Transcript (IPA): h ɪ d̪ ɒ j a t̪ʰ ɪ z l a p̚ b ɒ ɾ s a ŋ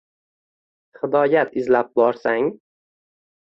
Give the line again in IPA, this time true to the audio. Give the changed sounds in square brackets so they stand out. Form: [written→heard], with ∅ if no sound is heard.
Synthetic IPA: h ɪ d̪ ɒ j a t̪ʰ ɪ z l a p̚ b ɒ ɾ s a ŋ